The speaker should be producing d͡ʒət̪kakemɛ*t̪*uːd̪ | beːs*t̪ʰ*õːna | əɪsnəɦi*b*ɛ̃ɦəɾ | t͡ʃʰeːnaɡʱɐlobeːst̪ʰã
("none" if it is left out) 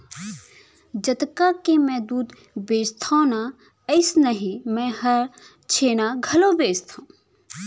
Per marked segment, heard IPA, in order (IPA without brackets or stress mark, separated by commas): d̪, t̪ʰ, m